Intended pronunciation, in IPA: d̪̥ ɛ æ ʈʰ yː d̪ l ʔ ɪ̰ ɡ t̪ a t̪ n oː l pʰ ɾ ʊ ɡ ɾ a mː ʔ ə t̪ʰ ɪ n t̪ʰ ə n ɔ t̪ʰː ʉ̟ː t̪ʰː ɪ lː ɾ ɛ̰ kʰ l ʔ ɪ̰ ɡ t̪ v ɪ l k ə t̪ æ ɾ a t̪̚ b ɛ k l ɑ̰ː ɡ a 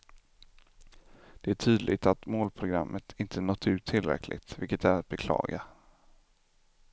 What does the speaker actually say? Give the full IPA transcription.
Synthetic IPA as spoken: d̪̥ ɛ æ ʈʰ yː d̪ l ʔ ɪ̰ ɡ t̪ a t̪ m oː l pʰ ɾ ʊ ɡ ɾ a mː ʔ ə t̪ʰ ɪ n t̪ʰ ə n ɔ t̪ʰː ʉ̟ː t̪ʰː ɪ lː ɾ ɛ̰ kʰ l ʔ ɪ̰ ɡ t̪ v ɪ l k ə t̪ æ ɾ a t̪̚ b ɛ kʰ l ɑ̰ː ɡ a